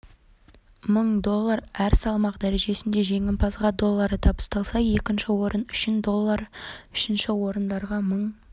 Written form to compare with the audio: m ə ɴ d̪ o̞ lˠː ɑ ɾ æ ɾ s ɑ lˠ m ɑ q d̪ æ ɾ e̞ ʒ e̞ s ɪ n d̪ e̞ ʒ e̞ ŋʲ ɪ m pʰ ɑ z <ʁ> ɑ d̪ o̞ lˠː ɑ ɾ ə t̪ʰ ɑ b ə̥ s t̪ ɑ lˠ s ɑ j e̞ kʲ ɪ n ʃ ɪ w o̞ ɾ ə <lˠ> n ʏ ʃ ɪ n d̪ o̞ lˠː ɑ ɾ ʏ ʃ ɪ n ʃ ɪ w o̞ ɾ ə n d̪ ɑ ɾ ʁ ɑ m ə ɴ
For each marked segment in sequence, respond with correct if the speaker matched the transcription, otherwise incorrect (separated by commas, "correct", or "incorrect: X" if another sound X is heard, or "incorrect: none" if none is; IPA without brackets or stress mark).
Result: correct, incorrect: none